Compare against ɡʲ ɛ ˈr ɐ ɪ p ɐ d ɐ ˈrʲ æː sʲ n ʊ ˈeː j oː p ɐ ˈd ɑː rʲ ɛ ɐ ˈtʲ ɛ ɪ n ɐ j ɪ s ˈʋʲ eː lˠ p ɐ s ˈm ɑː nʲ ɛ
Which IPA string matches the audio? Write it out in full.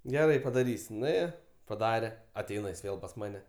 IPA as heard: ɡʲ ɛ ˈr ɐ ɪ p ɐ d ɐ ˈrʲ iː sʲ n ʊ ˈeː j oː p ɐ ˈd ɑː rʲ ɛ ɐ ˈtʲ ɛ ɪ n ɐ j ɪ s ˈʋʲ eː lˠ p ɐ s ˈm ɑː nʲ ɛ